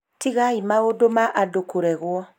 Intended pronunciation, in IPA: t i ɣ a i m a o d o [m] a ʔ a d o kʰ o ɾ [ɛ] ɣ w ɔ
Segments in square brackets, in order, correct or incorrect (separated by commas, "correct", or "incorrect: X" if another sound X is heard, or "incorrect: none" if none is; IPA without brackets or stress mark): correct, correct